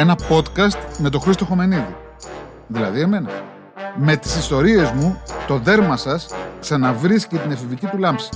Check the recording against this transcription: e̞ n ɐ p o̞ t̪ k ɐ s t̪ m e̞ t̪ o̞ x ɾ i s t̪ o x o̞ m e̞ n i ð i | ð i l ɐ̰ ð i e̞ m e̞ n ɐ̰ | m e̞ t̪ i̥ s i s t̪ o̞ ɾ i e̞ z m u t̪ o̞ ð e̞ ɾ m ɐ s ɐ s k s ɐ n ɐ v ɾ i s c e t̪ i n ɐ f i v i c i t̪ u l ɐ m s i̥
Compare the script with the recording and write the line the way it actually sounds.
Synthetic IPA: e̞ n ɐ p o̞ t̪ k ɐ s t̪ m e̞ t̪ o̞ x ɾ i s t̪ o x o̞ m e̞ n i ð i | ð i l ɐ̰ ð i e̞ m e̞ n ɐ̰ | m e̞ t̪ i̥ s i s t̪ o̞ ɾ i e̞ z m u t̪ o̞ ð e̞ ɾ m ɐ s ɐ s k s ɐ n ɐ v ɾ i s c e t̪ i n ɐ f i v i c i t̪ u l ɐ m s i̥